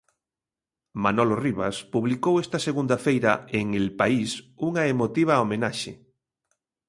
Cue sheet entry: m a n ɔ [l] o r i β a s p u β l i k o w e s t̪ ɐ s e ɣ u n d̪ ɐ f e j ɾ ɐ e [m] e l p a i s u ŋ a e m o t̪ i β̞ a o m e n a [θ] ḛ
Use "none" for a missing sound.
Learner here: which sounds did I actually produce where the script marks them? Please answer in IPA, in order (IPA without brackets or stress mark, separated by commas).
l, ŋ, ʃ